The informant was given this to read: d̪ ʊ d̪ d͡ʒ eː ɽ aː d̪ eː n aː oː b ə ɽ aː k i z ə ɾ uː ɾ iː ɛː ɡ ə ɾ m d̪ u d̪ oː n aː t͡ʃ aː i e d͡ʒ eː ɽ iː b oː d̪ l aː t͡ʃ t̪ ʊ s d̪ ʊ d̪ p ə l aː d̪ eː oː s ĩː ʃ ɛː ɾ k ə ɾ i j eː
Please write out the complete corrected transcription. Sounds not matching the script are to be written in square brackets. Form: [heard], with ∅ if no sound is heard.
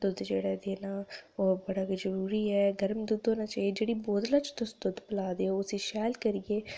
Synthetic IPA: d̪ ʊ d̪ d͡ʒ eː ɽ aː d̪ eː n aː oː b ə ɽ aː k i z ə ɾ uː ɾ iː ɛː ɡ ə ɾ m d̪ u d̪ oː n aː t͡ʃ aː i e d͡ʒ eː ɽ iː b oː d̪ l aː t͡ʃ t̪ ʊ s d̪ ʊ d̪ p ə l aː d̪ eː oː s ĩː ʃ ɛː [l] k ə ɾ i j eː